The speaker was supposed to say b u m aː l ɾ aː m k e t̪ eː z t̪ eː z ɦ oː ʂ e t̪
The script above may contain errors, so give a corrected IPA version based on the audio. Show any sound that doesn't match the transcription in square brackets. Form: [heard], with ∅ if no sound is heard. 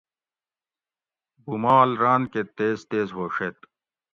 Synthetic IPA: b u m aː l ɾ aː [n] k e t̪ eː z t̪ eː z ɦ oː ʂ e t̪